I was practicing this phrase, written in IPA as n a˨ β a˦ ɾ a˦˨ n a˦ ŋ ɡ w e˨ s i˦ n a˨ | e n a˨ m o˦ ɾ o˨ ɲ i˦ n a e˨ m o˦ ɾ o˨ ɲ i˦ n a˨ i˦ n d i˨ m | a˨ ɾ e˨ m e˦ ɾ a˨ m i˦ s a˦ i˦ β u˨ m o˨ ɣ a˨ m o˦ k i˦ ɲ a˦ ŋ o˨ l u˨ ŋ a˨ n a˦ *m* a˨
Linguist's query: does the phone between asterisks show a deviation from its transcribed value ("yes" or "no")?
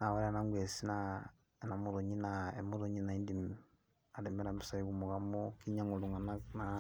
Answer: yes